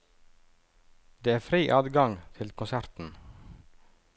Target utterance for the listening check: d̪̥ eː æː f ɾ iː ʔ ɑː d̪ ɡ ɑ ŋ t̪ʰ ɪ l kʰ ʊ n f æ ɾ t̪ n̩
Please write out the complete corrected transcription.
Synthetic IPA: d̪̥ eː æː f ɾ iː ʔ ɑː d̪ ɡ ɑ ŋ t̪ʰ ɪ l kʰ ʊ n s æ ɾ t̪ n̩